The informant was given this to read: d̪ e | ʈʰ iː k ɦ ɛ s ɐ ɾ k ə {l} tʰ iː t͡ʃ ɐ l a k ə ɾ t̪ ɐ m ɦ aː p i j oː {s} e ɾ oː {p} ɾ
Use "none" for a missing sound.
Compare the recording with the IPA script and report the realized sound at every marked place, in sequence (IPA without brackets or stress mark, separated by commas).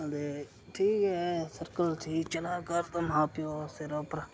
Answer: l, s, p